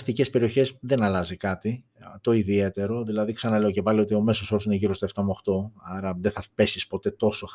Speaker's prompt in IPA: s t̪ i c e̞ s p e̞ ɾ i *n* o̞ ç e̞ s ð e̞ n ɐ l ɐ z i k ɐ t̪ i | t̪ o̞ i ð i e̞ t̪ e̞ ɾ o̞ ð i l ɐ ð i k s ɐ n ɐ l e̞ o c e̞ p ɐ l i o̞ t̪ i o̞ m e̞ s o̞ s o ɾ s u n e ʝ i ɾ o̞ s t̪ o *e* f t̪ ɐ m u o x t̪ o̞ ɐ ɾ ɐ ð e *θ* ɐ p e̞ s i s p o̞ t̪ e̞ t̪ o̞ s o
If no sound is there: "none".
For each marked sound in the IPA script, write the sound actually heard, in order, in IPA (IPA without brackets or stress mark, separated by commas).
none, e, θ